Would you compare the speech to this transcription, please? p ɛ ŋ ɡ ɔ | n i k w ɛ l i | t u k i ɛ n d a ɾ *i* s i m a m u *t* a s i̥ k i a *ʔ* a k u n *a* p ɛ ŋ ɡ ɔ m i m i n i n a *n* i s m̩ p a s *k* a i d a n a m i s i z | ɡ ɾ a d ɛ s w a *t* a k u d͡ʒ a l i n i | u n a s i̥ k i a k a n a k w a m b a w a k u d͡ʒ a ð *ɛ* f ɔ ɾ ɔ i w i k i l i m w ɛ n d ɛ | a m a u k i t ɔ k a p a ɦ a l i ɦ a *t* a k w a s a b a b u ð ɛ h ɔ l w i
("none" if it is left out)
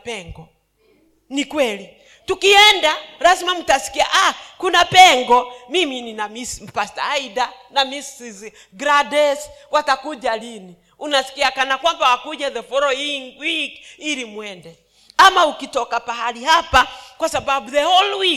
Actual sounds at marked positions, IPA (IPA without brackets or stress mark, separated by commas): a, t, ʔ, a, m, t, t, ɛ, p